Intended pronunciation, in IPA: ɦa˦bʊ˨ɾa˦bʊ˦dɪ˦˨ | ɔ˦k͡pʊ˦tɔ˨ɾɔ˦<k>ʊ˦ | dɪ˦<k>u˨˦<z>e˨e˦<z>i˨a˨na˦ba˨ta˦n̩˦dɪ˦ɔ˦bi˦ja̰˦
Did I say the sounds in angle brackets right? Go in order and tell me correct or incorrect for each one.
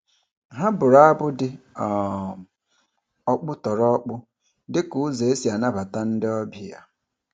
incorrect, correct, correct, incorrect

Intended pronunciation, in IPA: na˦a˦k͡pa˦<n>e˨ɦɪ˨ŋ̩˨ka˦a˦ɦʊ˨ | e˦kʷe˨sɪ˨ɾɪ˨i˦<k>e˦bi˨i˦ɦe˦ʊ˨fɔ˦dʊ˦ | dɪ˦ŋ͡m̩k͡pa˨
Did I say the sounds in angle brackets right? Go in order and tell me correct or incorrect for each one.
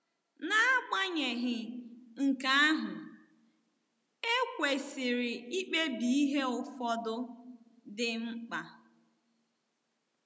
incorrect, incorrect

